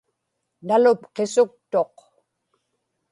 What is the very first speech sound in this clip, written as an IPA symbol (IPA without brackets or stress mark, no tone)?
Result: n